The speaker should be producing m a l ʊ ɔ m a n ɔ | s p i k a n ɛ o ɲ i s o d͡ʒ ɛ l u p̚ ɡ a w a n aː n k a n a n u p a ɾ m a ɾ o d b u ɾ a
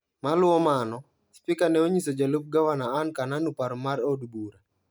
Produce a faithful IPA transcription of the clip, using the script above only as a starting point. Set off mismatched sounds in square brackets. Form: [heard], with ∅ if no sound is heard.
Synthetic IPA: m a l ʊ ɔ m a n ɔ | s p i k a n ɛ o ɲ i s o d͡ʒ [a] l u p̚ ɡ a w a n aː n k a n a n u p a ɾ m a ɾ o d b u ɾ a